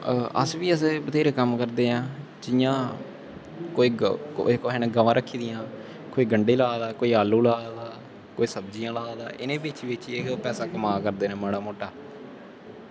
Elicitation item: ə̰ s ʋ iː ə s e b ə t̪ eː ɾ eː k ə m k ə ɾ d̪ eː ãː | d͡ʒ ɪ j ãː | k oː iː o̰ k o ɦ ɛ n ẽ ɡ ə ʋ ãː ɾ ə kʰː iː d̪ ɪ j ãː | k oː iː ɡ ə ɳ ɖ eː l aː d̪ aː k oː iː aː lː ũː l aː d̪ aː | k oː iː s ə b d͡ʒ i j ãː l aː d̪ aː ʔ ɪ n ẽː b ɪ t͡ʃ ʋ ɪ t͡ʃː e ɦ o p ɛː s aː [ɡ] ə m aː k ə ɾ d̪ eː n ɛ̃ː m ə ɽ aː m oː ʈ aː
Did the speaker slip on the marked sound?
yes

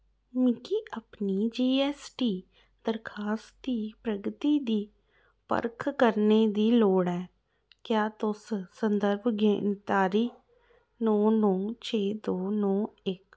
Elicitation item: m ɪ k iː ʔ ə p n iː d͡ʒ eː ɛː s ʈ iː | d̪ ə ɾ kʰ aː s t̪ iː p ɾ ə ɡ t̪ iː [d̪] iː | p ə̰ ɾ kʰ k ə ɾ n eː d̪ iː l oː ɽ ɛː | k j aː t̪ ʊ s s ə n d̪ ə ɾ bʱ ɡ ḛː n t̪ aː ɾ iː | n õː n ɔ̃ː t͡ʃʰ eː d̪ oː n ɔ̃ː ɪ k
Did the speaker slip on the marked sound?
no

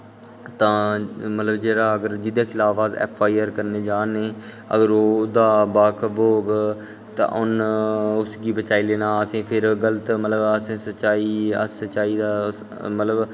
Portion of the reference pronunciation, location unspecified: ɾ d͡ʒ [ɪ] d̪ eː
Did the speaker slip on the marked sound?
no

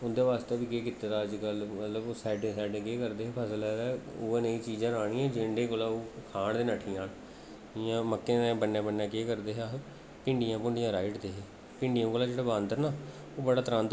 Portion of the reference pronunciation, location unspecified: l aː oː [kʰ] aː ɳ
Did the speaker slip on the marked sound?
no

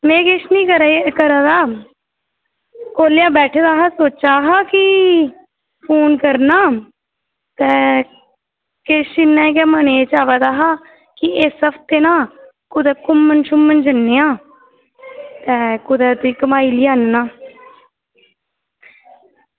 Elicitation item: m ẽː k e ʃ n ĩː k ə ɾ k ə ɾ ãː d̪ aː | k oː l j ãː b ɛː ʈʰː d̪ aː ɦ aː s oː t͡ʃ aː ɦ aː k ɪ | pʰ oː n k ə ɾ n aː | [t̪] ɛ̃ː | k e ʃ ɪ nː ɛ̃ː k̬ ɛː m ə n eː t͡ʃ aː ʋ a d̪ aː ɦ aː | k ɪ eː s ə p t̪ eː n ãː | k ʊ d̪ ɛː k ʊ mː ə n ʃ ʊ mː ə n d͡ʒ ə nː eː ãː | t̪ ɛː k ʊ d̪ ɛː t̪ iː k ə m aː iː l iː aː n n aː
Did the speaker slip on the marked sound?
no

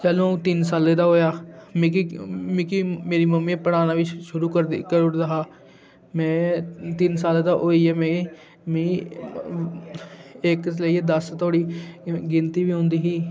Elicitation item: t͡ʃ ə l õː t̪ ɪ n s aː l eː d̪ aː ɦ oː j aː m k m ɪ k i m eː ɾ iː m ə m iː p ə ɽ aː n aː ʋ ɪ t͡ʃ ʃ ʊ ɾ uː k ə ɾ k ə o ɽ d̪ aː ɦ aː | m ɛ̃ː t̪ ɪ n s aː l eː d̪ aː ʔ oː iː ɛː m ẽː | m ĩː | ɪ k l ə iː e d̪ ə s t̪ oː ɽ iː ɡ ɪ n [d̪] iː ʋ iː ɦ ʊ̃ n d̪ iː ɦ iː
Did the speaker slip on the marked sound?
yes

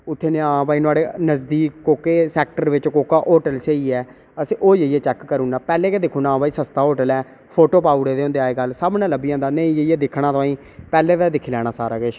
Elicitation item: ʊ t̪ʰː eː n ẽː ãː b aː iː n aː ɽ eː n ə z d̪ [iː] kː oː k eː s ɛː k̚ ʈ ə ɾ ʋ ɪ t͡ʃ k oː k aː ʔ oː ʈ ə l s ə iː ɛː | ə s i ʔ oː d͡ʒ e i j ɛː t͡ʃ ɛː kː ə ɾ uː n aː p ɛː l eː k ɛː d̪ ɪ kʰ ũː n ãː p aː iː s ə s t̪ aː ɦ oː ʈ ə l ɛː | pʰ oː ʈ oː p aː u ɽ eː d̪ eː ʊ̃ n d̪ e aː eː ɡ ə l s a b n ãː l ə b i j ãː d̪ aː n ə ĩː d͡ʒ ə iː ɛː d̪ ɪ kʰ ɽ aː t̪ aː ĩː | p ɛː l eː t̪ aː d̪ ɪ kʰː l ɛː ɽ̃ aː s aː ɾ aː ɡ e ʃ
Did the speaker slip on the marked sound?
no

